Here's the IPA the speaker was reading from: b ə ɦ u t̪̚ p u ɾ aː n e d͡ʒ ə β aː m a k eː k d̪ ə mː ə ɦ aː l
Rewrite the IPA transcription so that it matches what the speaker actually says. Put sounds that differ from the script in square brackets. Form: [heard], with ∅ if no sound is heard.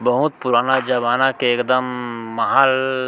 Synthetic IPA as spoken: b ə ɦ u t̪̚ p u ɾ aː n [a] d͡ʒ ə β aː [n] a k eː k d̪ ə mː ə ɦ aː l